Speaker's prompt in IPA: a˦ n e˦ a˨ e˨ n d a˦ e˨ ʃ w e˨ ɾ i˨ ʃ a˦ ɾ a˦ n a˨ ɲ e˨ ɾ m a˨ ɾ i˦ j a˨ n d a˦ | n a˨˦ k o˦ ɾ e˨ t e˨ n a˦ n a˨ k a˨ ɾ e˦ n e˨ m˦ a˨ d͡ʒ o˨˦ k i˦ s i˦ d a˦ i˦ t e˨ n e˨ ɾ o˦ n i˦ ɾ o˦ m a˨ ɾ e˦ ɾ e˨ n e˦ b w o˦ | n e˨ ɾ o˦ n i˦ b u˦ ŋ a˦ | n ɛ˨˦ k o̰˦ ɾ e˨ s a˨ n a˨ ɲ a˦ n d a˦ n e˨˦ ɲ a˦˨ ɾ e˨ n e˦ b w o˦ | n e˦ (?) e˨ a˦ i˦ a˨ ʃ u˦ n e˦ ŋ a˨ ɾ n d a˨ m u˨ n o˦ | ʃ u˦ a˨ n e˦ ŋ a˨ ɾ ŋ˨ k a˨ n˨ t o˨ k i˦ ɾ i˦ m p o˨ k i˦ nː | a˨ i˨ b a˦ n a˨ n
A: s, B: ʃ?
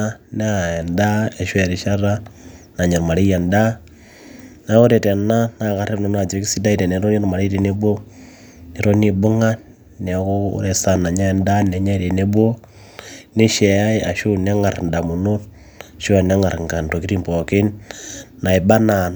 B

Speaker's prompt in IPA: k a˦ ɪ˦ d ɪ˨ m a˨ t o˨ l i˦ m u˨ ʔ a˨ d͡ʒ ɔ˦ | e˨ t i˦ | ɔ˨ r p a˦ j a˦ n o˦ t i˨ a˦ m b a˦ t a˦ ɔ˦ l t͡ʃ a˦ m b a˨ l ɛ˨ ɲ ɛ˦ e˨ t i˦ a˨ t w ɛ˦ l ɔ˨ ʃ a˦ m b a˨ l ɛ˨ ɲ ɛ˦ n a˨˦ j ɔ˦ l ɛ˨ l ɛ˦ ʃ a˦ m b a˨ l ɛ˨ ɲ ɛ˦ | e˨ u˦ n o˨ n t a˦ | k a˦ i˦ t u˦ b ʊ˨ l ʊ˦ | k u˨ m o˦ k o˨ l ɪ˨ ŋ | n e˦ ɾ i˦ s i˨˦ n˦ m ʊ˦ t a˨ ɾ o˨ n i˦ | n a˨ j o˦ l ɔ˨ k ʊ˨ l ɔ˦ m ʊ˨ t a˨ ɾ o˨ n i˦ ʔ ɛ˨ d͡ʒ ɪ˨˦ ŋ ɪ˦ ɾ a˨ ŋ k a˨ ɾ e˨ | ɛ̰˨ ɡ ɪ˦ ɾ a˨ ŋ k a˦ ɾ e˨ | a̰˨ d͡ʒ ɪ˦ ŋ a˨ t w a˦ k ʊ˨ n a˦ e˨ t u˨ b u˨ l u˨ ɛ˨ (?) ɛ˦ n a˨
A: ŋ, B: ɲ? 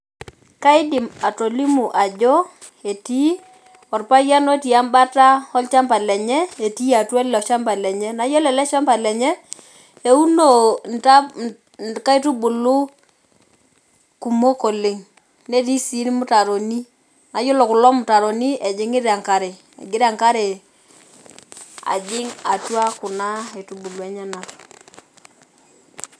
B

